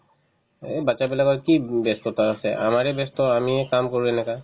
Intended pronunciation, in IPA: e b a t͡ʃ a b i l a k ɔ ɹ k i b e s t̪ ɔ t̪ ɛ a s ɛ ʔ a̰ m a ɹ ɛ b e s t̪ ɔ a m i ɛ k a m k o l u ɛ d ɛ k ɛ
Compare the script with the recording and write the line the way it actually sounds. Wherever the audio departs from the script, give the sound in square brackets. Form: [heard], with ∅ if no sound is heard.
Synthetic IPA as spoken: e b a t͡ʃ a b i l a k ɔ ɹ k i b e s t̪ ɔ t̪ [a] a s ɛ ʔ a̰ m a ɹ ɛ b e s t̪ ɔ a m i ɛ k a m k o [ɹ] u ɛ [n] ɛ k [a]

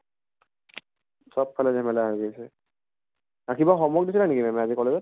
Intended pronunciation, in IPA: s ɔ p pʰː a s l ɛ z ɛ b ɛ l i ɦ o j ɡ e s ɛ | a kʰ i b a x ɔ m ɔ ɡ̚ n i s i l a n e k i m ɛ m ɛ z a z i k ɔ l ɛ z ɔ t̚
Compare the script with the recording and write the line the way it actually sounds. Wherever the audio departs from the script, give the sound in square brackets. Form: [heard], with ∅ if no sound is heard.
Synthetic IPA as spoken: s ɔ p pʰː a [∅] l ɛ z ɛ [m] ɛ l [a] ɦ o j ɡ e s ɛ | a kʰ i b a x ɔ m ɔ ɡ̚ [d] i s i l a n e k i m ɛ m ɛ [∅] a z i k ɔ l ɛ z ɔ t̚

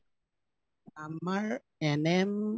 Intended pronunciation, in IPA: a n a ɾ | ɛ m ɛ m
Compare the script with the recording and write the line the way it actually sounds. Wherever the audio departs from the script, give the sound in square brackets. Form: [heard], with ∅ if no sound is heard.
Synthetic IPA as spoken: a [m] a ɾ | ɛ [n] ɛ m

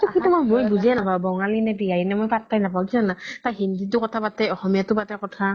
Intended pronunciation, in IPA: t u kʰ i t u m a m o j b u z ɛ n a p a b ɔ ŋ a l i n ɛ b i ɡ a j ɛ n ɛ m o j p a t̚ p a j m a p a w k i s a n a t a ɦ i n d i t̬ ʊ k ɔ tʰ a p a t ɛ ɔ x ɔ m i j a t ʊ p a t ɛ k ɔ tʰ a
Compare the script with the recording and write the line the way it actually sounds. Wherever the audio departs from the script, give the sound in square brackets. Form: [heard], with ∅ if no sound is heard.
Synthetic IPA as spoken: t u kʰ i t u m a m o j b u z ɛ n a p a b ɔ ŋ a l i n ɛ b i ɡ a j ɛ n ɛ m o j p a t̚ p a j [n] a p a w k i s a n a t a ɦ i n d i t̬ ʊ k ɔ tʰ a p a t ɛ ɔ x ɔ m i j a t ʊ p a t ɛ k ɔ tʰ a

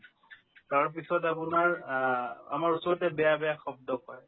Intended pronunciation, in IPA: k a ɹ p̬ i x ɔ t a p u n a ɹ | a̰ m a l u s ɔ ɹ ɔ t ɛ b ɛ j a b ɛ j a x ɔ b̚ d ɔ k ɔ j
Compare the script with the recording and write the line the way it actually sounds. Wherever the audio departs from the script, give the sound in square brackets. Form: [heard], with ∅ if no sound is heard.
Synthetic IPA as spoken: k a ɹ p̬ i [s] ɔ t a p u n a ɹ | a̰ m a [ɹ] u s ɔ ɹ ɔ t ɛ b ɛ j a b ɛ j a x ɔ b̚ d ɔ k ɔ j

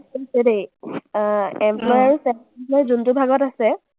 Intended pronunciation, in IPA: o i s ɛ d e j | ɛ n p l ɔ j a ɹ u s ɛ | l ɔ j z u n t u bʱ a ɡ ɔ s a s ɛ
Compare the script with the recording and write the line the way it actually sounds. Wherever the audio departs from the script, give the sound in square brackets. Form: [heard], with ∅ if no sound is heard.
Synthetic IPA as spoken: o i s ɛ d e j | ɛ [m] p l ɔ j a ɹ u s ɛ | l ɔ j z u n t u bʱ a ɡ ɔ [t] a s ɛ

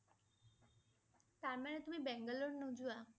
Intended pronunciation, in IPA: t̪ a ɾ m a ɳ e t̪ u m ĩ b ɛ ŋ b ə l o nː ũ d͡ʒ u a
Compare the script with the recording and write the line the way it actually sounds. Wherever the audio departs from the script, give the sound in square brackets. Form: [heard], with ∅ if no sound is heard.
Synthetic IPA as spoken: t̪ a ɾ m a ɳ e t̪ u m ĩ b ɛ ŋ [ɡ] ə l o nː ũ d͡ʒ u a

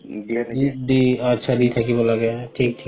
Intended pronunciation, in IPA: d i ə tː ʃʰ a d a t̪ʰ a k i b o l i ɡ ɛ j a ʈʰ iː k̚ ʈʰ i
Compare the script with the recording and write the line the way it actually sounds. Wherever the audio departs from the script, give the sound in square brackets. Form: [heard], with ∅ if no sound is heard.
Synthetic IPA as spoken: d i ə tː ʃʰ a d [i] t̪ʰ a k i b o l [a] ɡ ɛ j a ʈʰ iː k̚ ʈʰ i

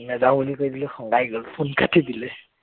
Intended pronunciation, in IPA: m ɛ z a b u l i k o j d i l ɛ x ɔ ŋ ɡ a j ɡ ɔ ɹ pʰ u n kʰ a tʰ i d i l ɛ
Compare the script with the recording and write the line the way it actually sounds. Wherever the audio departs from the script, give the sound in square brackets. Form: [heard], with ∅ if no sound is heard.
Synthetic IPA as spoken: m ɛ z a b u l i k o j d i l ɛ x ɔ ŋ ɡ a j ɡ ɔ [l] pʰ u n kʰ a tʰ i d i l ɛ

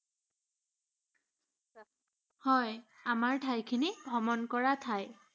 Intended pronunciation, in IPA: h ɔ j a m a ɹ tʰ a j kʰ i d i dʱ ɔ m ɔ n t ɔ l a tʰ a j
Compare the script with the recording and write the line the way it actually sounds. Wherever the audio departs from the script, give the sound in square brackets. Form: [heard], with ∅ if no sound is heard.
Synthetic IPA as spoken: h ɔ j a m a ɹ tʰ a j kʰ i [n] i [bʱ] ɔ m ɔ n [k] ɔ [ɹ] a tʰ a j

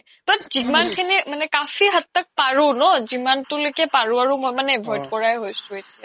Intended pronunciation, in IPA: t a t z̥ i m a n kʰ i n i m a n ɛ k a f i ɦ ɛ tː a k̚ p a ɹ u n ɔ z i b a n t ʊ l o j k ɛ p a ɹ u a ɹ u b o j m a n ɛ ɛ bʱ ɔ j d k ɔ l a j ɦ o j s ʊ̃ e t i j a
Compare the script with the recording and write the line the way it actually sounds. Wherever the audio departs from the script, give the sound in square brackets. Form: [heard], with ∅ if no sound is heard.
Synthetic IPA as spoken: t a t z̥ i m a n kʰ i n i m a n ɛ k a f i ɦ [a] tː a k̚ p a ɹ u n ɔ z i [m] a n t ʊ l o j k ɛ p a ɹ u a ɹ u [m] o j m a n ɛ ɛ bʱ ɔ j d k ɔ [ɹ] a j ɦ o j s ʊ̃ e t i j a

